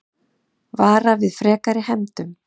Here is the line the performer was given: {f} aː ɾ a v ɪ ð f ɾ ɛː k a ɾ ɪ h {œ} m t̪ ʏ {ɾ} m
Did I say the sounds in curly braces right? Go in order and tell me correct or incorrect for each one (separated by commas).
incorrect, incorrect, incorrect